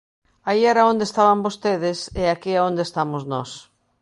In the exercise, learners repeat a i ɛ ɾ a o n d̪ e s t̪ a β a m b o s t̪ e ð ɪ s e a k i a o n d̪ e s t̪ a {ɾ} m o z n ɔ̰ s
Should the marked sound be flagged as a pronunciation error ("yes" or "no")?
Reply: yes